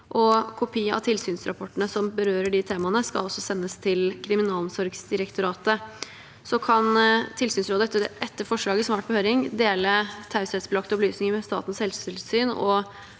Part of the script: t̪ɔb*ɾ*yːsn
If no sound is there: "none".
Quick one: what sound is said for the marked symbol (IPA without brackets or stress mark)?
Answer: l